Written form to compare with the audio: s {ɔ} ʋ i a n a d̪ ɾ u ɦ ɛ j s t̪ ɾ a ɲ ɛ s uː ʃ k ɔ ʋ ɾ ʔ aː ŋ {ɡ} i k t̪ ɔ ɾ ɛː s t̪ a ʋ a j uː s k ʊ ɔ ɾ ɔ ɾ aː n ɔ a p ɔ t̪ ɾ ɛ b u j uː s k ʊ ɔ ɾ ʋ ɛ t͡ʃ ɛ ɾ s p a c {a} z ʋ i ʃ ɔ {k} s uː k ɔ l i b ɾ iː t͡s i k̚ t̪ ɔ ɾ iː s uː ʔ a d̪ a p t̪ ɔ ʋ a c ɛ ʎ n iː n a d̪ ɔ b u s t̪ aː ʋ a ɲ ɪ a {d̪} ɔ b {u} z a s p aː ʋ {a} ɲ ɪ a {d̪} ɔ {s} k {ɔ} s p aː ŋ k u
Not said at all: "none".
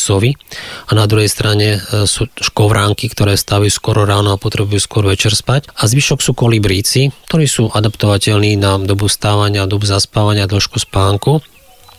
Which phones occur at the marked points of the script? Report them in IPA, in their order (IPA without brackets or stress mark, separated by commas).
ɔ, k, a, k, d̪, u, a, d̪, ʃ, u